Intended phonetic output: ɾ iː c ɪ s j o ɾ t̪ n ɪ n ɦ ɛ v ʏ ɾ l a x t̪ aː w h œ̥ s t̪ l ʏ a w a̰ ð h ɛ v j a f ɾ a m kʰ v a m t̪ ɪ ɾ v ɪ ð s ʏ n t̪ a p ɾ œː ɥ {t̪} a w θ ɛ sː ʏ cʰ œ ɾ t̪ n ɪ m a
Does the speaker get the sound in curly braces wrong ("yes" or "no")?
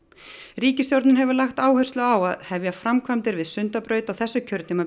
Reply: no